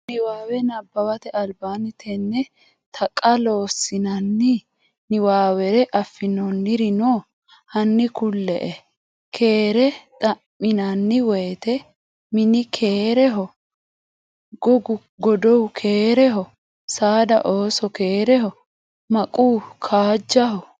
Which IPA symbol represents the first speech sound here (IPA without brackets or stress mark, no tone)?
n